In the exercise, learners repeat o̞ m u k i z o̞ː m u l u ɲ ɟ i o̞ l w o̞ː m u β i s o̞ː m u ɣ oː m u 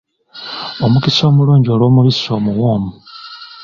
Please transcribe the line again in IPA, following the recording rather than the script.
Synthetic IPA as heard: o̞ m u k i s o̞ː m u l uː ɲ ɟ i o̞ l w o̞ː m u β i s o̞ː m u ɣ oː m u